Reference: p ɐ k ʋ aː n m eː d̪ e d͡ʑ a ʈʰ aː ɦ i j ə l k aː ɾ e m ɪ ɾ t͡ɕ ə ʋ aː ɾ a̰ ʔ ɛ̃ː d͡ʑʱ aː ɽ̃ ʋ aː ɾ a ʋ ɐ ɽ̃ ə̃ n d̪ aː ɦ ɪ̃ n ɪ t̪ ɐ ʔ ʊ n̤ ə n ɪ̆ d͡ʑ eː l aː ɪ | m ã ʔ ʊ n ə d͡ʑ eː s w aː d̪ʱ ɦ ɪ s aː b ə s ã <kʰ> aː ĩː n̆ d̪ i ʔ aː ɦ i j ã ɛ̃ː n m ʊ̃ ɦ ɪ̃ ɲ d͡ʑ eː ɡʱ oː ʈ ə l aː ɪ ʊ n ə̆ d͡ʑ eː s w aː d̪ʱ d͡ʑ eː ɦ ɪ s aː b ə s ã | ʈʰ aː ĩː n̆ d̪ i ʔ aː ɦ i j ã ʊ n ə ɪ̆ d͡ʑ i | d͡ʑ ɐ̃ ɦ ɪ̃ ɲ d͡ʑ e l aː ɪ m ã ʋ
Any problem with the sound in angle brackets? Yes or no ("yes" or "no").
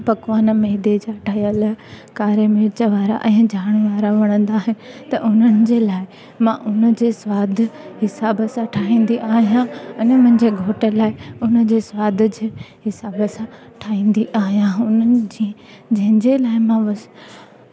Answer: yes